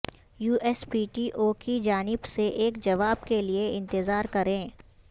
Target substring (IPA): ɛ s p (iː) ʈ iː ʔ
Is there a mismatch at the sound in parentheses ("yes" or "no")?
no